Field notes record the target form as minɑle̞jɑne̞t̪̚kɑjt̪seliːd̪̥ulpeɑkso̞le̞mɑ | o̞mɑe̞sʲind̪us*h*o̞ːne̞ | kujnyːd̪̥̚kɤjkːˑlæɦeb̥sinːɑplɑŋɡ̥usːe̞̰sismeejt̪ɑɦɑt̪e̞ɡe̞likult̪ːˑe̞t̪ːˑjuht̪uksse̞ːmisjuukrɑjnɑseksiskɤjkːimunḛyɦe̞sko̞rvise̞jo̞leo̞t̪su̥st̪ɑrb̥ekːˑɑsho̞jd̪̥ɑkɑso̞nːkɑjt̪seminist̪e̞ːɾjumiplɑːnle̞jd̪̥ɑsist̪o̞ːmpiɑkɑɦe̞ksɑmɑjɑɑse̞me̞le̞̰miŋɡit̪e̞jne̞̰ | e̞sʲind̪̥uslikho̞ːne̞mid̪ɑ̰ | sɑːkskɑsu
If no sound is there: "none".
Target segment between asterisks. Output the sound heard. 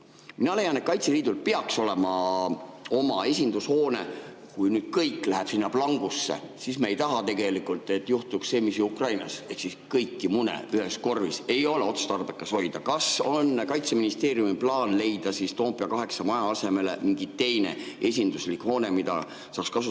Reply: h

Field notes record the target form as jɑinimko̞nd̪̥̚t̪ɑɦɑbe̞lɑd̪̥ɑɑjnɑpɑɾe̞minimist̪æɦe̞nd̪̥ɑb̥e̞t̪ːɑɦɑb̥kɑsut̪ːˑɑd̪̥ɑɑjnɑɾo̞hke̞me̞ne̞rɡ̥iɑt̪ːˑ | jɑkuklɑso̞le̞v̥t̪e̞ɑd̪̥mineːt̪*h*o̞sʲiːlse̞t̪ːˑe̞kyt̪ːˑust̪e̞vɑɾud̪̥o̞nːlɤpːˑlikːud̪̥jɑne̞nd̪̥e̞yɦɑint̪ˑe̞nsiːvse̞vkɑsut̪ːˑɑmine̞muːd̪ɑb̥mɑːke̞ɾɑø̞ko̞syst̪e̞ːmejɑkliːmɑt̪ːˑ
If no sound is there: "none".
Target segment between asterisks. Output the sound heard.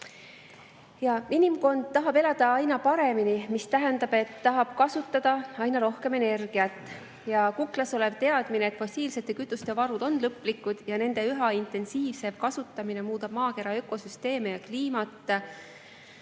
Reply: f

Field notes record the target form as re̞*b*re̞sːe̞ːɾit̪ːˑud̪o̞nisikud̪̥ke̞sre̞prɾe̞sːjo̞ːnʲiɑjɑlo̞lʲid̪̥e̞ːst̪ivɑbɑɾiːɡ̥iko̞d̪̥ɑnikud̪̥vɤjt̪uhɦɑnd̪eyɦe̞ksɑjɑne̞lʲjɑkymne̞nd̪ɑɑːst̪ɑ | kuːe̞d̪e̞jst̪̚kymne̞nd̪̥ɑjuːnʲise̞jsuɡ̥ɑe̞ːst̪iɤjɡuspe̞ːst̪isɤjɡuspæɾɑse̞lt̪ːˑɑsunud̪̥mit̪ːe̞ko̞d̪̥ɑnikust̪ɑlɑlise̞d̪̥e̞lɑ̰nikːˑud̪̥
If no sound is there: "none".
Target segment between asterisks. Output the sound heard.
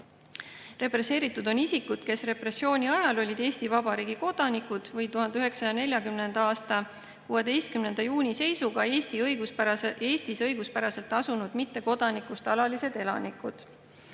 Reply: p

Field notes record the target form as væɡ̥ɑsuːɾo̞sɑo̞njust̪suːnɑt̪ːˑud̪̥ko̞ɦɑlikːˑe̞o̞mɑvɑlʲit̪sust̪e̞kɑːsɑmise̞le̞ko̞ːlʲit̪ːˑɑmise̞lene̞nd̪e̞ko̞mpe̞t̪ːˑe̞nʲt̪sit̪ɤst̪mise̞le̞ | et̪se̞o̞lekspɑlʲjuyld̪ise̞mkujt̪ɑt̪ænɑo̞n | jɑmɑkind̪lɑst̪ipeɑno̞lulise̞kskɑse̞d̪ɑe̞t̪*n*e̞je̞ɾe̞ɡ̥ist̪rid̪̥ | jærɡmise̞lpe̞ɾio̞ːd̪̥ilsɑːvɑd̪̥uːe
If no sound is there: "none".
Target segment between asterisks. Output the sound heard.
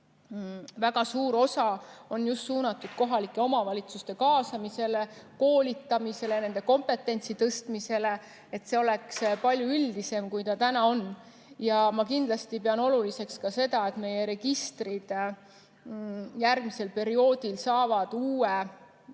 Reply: m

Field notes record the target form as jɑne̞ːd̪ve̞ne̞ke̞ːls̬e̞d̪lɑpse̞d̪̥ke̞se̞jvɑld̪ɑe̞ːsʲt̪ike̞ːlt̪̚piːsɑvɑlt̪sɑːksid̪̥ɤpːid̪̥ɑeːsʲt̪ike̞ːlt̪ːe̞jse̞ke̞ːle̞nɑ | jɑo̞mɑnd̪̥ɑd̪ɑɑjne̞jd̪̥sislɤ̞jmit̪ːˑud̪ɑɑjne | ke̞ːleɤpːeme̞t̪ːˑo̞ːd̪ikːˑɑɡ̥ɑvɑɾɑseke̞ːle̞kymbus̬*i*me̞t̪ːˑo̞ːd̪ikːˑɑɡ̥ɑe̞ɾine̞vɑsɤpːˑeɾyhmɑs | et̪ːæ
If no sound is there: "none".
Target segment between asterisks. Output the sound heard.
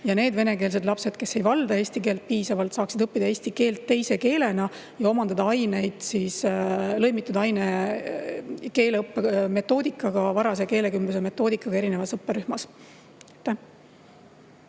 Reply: e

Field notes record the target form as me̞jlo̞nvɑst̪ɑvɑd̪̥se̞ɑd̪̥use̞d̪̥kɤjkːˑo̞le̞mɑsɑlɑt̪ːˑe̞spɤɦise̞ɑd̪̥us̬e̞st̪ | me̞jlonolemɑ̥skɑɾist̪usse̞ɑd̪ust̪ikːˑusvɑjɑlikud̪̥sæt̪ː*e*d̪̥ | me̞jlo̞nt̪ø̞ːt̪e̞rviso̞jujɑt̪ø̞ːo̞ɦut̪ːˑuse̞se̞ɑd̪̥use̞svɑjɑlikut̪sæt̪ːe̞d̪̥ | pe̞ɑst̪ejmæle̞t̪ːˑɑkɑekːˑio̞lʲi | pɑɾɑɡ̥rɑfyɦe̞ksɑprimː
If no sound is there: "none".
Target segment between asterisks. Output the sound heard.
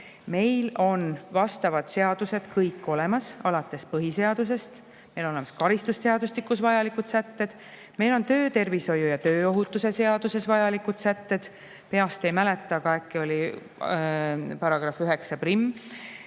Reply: e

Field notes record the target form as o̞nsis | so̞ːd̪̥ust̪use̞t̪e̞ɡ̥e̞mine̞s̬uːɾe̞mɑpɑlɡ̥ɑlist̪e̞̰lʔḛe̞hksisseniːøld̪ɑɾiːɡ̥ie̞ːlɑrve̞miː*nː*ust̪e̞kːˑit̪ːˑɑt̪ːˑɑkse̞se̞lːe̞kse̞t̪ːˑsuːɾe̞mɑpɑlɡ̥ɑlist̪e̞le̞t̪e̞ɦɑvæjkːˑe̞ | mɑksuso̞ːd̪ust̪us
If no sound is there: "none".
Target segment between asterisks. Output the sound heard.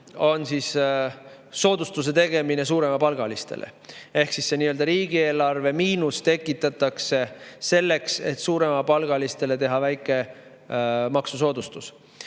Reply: n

